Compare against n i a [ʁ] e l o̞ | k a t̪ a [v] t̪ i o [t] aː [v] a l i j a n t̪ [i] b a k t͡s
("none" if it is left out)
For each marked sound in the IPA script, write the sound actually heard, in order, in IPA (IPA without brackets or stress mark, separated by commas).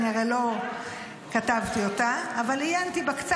ʁ, v, t, v, i